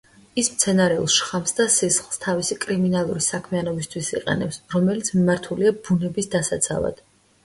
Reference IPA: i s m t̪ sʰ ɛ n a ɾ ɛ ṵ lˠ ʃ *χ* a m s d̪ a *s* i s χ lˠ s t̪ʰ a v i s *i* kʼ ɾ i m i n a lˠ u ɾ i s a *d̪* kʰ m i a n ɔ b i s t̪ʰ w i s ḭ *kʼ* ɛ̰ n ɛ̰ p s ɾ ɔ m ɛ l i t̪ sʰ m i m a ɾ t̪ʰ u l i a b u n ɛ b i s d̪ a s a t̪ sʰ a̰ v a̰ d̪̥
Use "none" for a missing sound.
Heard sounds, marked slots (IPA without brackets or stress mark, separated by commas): χ, s, i, none, qʼ